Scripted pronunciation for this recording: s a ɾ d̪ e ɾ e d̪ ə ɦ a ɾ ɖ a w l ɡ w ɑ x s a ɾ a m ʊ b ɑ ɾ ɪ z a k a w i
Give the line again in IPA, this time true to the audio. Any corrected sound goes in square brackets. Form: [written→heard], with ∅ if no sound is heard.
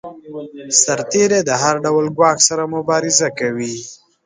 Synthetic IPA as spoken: s a ɾ [d̪→t̪] e ɾ e d̪ ə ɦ a ɾ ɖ a w l ɡ w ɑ x s a ɾ a m ʊ b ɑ ɾ ɪ z a k a w i